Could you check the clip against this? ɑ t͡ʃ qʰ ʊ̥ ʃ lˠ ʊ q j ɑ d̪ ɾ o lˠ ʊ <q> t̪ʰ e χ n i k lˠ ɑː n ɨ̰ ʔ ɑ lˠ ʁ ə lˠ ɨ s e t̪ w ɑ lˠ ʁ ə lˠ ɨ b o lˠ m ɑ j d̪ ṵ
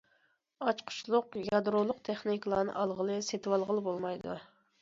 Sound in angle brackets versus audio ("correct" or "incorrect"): correct